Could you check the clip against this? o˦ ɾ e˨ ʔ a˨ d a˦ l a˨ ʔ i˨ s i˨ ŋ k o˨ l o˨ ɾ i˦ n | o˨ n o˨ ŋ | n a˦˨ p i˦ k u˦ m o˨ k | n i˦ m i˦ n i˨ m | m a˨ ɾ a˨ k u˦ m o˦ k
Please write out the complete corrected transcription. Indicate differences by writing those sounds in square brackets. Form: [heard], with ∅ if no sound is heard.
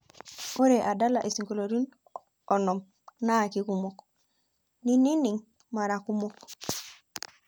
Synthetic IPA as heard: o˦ ɾ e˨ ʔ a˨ d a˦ l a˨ ʔ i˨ s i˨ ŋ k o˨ l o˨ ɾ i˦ n | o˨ n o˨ [m] | n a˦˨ [k] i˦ k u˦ m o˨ k | n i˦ [n] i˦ n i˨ [ŋ] | m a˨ ɾ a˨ k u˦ m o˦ k